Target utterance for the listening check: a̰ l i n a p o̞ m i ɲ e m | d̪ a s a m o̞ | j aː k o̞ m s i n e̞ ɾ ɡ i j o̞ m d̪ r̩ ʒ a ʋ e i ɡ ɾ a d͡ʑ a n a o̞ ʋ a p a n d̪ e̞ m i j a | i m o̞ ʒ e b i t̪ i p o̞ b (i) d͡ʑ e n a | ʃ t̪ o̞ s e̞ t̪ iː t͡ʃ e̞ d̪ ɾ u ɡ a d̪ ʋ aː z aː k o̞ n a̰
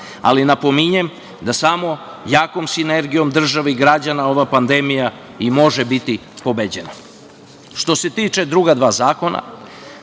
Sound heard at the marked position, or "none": e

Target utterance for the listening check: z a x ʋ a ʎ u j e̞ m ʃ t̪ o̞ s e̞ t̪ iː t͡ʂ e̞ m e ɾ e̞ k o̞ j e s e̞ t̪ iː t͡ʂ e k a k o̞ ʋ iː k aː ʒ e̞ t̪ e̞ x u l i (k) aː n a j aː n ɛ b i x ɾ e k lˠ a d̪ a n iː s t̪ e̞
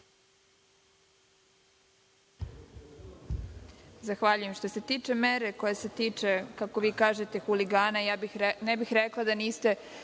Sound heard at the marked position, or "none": ɡ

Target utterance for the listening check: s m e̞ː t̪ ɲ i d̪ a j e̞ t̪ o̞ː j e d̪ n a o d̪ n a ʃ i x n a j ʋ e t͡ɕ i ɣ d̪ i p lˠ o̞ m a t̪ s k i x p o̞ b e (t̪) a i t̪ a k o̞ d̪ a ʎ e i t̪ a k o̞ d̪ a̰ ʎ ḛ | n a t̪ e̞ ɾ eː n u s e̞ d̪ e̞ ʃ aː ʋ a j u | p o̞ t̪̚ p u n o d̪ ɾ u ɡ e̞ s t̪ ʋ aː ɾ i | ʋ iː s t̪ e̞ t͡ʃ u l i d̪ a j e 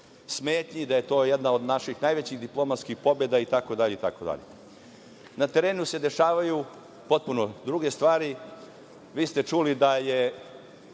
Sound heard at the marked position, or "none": d̪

